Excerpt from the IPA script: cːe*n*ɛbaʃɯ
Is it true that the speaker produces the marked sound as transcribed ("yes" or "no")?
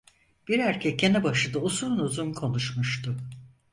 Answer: yes